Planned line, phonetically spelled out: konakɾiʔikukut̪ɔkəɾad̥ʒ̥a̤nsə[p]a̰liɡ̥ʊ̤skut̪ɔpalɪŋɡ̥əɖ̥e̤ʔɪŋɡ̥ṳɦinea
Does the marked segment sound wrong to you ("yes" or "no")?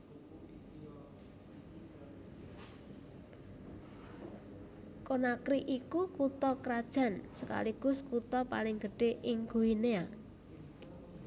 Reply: yes